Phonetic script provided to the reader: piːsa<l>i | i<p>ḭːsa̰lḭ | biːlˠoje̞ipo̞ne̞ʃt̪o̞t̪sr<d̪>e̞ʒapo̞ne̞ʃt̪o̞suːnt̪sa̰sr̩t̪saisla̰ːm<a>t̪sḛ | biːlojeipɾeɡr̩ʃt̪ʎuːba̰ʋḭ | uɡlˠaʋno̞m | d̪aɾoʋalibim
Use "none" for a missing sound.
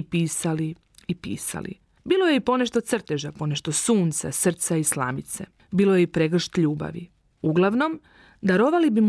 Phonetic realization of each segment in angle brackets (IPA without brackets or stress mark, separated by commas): l, p, t̪, i